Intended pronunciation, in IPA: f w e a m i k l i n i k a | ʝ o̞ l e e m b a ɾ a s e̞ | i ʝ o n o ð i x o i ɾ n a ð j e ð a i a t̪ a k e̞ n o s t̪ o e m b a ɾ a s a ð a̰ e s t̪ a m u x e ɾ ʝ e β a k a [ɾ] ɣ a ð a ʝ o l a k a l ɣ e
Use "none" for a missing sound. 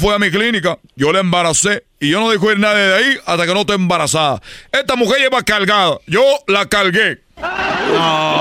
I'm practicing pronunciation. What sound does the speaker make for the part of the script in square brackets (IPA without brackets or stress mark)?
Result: l